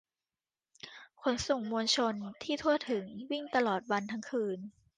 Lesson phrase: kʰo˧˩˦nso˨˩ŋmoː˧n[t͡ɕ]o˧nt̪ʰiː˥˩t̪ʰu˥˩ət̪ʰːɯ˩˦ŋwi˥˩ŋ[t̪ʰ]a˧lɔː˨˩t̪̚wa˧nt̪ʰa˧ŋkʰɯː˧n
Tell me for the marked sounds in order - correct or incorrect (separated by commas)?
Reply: incorrect, incorrect